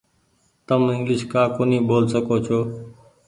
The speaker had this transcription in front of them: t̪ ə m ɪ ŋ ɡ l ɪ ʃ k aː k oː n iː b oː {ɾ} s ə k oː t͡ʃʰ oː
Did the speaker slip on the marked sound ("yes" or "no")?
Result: yes